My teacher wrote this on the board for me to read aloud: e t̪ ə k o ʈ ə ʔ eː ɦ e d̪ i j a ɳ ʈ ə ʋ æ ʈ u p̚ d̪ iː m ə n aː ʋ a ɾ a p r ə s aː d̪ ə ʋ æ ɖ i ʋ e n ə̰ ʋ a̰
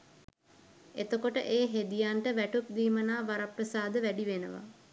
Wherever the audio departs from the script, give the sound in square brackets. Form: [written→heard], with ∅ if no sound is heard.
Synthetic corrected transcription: e t̪ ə k o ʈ ə ʔ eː ɦ e d̪ i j a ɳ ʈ ə ʋ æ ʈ u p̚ d̪ iː m ə n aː ʋ a ɾ a p r ə s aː d̪ ə ʋ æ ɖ i ʋ e n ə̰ ʋ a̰

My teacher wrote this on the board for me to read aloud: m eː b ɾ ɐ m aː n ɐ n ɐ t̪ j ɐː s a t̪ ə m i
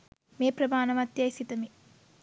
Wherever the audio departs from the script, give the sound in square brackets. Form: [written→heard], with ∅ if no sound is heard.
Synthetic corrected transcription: m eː [b→p] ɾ ɐ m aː n ɐ [n→m] ɐ t̪ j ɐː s [a→i] t̪ [ə→ɐ] m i

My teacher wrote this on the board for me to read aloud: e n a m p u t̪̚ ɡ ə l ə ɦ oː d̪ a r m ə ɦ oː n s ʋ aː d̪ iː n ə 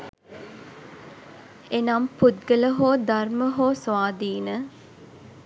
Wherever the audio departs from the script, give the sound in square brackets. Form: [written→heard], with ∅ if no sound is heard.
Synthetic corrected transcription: e n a m p u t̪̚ ɡ ə l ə ɦ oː d̪ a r m ə ɦ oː [n→∅] s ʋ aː d̪ iː n ə

